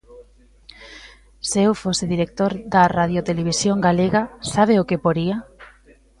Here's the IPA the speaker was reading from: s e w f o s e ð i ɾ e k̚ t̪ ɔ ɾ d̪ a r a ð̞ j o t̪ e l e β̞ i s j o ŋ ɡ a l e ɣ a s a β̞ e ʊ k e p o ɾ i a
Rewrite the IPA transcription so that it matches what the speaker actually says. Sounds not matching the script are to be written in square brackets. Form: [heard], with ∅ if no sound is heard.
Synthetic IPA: s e w f o s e ð i ɾ e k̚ t̪ [o] ɾ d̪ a r a ð̞ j o t̪ e l e β̞ i s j o ŋ ɡ a l e ɣ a s a β̞ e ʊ k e p o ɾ i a

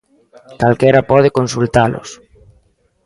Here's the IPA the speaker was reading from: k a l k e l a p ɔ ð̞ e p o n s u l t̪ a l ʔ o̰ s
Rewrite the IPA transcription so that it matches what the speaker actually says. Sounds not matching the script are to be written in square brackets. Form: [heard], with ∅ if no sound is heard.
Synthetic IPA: k a l k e [ɾ] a p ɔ ð̞ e [k] o n s u l t̪ a l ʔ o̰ s

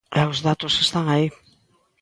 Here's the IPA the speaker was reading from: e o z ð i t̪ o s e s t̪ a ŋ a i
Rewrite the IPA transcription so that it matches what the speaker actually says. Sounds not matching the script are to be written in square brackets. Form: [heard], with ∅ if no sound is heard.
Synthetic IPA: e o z ð [a] t̪ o s e s t̪ a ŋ a i

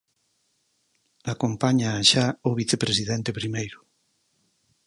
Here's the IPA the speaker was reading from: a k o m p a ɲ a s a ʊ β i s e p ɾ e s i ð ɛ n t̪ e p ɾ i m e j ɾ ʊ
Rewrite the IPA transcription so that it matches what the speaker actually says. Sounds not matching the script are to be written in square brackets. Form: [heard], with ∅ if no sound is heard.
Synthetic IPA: a k o m p a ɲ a [ʃ] a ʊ β i [θ] e p ɾ e s i ð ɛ n t̪ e p ɾ i m e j ɾ ʊ

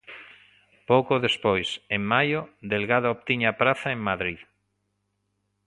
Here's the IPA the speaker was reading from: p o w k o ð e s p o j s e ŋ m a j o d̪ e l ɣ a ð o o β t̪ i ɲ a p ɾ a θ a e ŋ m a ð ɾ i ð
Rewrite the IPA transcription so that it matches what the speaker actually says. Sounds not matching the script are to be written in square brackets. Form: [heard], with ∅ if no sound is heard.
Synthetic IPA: p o w k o ð e s p o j s e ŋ m a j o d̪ e l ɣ a ð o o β t̪ i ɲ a p ɾ a θ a e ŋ m a ð ɾ i ð

